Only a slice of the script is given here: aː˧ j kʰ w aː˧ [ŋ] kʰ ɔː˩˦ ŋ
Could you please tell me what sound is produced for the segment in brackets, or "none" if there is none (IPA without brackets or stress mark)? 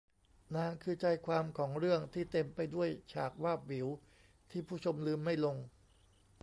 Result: m